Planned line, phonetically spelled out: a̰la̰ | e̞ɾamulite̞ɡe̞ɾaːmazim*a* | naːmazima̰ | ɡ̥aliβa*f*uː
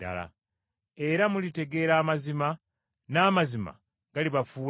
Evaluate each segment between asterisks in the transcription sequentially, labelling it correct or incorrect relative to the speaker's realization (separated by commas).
correct, correct